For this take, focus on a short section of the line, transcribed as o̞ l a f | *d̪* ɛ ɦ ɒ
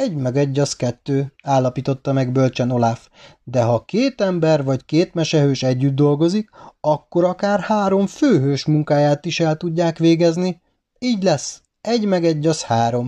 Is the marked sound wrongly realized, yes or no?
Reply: no